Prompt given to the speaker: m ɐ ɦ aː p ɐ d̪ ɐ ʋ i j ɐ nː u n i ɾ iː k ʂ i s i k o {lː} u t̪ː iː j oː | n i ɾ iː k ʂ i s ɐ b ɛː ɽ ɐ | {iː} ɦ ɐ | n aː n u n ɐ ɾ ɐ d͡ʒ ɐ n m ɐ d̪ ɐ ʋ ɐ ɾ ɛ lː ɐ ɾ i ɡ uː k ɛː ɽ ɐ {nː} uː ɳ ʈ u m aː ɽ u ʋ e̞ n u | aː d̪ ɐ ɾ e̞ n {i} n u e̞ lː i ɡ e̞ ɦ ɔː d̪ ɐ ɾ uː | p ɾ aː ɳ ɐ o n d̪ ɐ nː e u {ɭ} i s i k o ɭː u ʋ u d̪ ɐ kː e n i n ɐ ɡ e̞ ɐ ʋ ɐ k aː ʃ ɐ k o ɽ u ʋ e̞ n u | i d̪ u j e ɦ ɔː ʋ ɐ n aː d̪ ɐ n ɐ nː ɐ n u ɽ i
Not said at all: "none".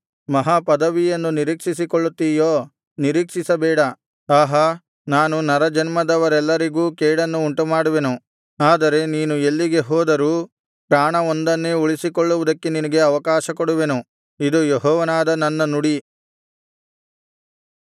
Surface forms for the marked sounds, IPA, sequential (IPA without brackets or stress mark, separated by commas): ɭː, aː, nː, iː, ɭ